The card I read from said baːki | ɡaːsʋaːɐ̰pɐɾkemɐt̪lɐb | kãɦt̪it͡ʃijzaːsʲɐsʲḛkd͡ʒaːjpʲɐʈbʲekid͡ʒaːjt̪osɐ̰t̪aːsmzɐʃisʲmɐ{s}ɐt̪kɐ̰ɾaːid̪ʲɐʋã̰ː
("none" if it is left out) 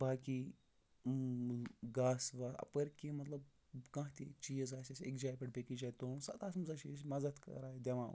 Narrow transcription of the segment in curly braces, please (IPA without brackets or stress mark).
z